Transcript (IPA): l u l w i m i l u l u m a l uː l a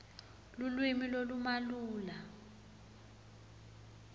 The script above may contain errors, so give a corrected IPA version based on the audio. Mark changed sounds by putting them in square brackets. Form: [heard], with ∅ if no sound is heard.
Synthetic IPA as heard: l u l w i m i l [o] l u m a l uː l a